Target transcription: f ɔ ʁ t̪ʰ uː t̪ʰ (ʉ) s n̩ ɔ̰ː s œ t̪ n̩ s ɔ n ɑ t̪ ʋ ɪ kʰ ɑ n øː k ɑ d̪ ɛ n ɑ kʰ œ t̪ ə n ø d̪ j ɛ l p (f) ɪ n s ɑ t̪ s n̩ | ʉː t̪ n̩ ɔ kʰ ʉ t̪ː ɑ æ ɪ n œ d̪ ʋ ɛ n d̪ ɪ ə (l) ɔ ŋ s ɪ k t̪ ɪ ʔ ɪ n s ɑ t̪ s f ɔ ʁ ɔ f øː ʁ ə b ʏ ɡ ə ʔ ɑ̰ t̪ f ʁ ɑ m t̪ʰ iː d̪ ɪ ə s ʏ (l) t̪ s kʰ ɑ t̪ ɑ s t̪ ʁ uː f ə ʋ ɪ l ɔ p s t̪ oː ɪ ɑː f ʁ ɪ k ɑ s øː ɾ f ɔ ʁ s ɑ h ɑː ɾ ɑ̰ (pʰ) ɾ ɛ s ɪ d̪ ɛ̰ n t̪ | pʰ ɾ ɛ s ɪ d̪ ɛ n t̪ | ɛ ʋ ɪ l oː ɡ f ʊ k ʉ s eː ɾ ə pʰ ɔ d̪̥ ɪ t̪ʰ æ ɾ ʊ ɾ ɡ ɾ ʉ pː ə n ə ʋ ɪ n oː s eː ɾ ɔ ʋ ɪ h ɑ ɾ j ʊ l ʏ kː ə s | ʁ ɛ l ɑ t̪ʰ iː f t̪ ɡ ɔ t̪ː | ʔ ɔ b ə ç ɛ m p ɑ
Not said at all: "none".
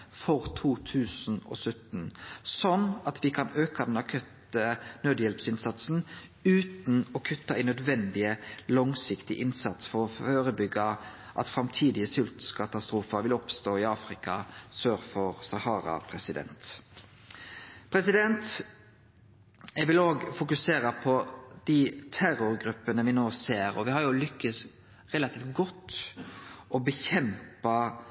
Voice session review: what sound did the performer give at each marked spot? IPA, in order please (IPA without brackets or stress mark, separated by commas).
ʉː, s, l, l, pʰ